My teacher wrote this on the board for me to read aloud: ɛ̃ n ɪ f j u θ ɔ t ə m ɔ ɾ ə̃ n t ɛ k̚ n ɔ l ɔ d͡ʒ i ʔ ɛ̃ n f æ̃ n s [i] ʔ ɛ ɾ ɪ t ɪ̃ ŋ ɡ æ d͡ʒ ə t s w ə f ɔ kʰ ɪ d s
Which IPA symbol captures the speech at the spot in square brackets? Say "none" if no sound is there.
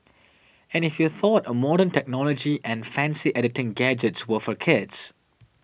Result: i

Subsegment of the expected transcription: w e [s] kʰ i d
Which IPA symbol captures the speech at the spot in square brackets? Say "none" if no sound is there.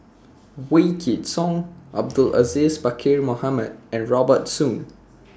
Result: none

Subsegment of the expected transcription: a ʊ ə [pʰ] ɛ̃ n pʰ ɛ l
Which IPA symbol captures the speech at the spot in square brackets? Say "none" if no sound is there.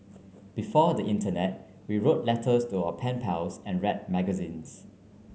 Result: pʰ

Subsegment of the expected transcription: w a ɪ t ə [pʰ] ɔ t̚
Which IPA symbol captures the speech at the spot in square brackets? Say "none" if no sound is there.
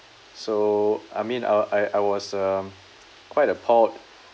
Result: pʰ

